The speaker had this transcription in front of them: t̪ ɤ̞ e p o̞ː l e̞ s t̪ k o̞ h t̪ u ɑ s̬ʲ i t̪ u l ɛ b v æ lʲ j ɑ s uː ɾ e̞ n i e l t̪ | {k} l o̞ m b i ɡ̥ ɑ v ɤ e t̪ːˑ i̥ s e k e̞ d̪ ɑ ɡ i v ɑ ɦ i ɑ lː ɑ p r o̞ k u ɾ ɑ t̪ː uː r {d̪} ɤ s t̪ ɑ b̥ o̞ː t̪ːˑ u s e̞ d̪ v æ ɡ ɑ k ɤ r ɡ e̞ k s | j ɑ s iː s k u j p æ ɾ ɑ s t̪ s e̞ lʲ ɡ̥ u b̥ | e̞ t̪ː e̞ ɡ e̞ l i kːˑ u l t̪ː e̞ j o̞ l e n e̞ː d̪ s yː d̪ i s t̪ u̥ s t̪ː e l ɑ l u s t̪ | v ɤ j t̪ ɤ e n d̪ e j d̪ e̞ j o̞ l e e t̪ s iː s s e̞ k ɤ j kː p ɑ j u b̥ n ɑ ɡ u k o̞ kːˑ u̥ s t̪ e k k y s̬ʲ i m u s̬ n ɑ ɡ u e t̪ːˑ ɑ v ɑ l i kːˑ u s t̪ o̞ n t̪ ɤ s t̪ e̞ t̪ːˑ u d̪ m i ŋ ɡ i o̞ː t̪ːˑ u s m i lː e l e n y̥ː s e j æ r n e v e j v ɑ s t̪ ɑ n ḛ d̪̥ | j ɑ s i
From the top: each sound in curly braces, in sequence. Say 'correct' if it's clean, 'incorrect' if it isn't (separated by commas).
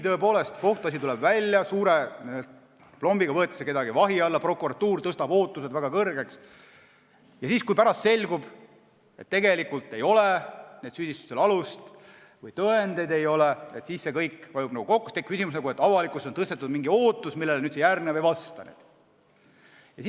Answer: incorrect, incorrect